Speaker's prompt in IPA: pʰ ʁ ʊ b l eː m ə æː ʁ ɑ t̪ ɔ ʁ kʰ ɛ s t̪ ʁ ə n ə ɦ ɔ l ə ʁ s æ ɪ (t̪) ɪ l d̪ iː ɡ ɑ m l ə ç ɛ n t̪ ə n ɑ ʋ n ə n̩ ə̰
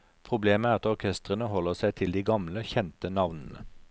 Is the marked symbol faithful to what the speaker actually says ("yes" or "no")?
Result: no